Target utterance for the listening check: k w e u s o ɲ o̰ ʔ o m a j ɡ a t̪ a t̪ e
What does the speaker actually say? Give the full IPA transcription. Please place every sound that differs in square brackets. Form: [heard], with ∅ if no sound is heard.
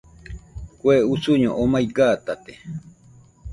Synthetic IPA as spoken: k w e u s [u] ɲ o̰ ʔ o m a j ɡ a t̪ a t̪ e